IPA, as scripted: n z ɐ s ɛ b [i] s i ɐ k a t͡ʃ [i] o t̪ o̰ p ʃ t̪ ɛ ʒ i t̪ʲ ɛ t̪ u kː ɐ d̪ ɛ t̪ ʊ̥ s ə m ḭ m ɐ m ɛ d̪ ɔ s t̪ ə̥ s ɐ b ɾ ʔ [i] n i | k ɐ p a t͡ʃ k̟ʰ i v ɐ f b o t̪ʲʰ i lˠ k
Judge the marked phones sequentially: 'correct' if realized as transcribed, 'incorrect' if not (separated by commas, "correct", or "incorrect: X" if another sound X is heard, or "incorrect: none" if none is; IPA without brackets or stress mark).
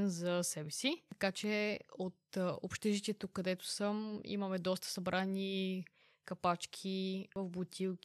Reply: incorrect: ɛ, incorrect: ɛ, incorrect: a